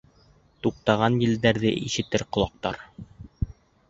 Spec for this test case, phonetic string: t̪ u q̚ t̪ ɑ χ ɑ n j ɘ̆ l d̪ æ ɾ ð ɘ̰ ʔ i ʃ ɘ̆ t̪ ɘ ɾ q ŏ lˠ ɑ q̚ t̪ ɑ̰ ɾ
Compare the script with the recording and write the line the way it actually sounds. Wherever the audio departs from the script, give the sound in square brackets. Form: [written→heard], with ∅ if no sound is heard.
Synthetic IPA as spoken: t̪ u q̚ t̪ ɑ [χ→ʁ] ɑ n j ɘ̆ l d̪ æ ɾ ð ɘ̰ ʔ i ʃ ɘ̆ t̪ ɘ ɾ q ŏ lˠ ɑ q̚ t̪ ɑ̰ ɾ

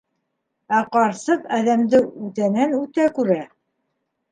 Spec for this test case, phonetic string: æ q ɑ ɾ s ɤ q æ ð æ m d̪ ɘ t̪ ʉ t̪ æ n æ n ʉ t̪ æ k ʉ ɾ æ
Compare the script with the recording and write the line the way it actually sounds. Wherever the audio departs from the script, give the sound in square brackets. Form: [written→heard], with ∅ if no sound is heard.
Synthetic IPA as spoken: æ q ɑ ɾ s ɤ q æ ð æ m d̪ ɘ [t̪→∅] ʉ t̪ æ n æ n ʉ t̪ æ k ʉ ɾ æ

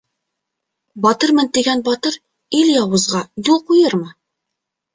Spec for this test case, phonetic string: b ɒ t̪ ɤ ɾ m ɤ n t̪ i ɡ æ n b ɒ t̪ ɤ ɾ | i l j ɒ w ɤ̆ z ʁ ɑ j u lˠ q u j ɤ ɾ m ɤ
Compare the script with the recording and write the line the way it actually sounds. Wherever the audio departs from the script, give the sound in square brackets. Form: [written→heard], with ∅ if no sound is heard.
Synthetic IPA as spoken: b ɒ t̪ ɤ ɾ m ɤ n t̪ i ɡ æ n b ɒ t̪ ɤ ɾ | i l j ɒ w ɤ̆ z ʁ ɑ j u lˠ q u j ɤ ɾ m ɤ

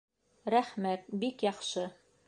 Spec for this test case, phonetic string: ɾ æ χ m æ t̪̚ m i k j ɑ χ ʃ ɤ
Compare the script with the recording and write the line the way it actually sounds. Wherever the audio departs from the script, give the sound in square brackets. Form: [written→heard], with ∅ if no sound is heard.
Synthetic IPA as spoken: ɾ æ χ m æ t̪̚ [m→b] i k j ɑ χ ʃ ɤ

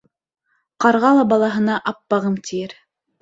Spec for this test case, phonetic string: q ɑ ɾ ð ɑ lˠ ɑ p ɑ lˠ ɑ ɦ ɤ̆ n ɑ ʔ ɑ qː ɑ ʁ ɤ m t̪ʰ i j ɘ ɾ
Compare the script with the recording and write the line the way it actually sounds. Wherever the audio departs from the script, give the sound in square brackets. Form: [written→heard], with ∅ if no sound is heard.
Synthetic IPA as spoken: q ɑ ɾ [ð→ʁ] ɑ lˠ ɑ [p→b] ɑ lˠ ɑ ɦ ɤ̆ n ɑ ʔ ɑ [qː→pː] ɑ ʁ ɤ m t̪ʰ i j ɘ ɾ

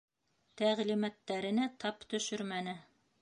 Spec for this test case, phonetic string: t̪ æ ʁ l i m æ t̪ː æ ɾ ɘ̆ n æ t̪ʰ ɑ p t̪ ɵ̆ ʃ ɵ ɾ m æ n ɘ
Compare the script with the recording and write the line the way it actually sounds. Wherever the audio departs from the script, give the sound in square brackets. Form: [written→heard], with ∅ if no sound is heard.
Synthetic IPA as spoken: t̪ æ ʁ l i m æ t̪ː æ ɾ ɘ̆ n æ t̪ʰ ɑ p t̪ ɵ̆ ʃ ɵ ɾ m æ n ɘ

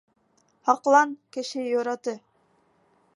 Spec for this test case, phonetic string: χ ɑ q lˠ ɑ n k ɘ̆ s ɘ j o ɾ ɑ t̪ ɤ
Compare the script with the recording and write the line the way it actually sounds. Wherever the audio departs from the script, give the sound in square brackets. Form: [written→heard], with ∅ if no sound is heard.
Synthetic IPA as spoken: [χ→h] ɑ q lˠ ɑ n k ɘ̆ [s→ʃ] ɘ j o ɾ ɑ t̪ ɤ

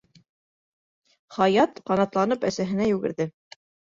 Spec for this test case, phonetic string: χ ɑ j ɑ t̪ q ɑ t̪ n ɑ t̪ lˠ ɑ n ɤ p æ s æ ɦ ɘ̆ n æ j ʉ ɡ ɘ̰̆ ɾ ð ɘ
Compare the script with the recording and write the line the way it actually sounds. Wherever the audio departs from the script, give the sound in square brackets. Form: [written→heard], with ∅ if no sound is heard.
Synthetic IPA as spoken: χ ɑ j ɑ t̪ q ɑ [t̪→∅] n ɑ t̪ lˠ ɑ n ɤ p æ s æ ɦ ɘ̆ n æ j ʉ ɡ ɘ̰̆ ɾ ð ɘ

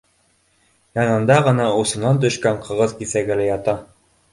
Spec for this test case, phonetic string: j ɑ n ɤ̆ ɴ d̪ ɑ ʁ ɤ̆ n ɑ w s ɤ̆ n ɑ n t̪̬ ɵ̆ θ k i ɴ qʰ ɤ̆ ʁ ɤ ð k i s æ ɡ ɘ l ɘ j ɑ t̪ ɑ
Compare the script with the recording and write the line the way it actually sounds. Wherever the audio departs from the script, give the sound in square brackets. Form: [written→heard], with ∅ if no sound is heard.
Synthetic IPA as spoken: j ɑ n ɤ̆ [ɴ→n] d̪ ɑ ʁ ɤ̆ n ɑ [w→u] s ɤ̆ n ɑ n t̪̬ ɵ̆ [θ→ʃ] k [i→æ] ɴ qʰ ɤ̆ ʁ ɤ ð k i s æ ɡ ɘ l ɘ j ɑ t̪ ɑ

